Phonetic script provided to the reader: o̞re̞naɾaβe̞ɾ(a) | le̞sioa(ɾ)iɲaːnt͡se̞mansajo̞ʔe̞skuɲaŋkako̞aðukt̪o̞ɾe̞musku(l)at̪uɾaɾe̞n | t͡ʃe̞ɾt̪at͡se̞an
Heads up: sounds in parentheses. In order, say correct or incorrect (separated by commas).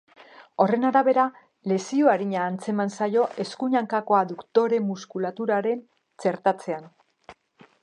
correct, correct, correct